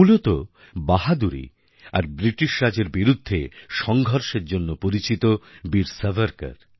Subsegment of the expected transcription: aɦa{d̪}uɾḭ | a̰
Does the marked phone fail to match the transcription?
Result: no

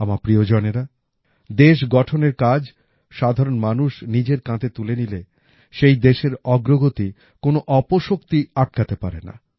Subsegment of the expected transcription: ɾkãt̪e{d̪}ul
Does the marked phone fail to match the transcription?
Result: yes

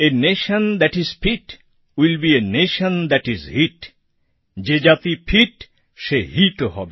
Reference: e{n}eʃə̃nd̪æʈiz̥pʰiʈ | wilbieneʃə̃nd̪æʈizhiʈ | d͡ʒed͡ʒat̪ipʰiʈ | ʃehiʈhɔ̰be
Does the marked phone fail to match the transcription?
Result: no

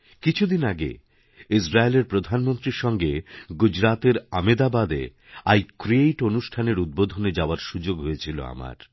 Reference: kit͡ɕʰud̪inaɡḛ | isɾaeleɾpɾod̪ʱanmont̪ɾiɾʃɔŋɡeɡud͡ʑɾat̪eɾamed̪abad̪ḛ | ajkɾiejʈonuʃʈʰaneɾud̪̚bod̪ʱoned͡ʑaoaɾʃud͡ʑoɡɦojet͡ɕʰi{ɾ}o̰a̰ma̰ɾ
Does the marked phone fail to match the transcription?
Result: yes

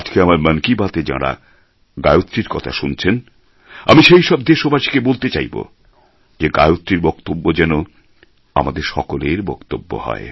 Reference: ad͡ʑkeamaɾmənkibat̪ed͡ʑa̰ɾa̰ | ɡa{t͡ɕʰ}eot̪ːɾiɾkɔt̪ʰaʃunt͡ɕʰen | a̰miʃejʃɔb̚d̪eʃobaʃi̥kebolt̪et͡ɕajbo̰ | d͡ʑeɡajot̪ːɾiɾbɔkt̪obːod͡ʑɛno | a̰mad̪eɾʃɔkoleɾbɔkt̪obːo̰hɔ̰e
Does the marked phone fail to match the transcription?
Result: yes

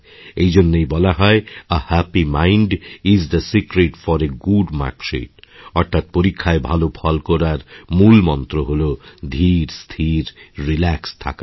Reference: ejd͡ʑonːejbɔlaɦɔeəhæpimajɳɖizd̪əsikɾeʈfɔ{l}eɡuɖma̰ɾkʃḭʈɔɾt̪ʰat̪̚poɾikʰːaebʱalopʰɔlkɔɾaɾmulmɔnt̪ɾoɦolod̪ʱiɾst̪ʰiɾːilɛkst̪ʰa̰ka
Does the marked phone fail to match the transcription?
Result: yes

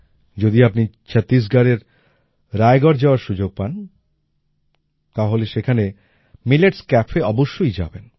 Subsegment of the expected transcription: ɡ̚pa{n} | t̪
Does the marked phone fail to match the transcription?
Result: no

